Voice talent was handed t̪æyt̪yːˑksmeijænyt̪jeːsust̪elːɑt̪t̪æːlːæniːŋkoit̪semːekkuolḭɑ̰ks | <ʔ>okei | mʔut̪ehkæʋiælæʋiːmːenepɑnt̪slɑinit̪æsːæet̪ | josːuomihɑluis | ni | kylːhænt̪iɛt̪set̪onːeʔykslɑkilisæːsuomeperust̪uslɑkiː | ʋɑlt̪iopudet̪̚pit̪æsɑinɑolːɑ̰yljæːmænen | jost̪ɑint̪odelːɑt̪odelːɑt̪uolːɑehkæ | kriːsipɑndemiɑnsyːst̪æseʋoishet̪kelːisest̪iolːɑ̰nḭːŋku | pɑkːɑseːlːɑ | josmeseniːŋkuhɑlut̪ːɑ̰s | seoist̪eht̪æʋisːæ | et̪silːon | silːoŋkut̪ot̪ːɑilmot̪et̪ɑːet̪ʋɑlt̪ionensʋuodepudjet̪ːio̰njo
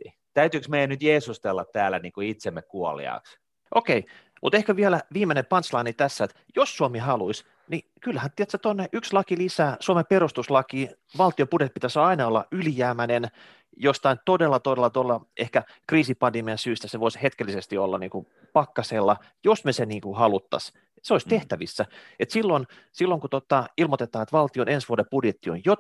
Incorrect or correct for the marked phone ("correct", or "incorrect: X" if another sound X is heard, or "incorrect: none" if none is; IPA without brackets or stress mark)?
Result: correct